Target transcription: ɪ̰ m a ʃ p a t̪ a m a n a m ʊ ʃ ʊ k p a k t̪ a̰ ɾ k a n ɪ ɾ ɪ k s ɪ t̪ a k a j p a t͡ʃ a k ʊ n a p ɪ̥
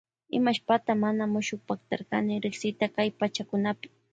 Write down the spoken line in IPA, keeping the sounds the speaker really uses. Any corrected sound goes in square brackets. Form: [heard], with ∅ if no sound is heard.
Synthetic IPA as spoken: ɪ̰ m a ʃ p a t̪ a m a n a m ʊ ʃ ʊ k p a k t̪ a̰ ɾ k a n ɪ ɾ ɪ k s ɪ t̪ a k a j p a t͡ʃ a k ʊ n a p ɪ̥